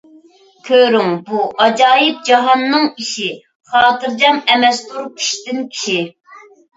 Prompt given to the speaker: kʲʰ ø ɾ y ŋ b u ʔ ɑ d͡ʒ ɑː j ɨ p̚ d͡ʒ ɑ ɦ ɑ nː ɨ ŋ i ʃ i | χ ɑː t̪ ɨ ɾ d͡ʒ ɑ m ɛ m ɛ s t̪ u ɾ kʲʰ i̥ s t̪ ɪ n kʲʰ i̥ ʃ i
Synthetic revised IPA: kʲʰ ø ɾ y ŋ b u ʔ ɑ d͡ʒ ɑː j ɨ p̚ d͡ʒ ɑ ɦ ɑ nː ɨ ŋ i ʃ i | χ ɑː t̪ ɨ ɾ d͡ʒ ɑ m ɛ m ɛ s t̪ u ɾ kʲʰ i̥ ʃ t̪ ɪ n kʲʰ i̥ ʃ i